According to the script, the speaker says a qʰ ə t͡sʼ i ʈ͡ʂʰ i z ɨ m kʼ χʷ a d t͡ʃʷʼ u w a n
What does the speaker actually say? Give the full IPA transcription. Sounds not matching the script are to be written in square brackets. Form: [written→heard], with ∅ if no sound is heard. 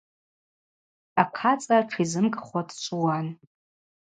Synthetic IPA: a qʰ [ə→a] t͡sʼ [i→a] ʈ͡ʂʰ i z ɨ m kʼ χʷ a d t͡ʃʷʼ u w a n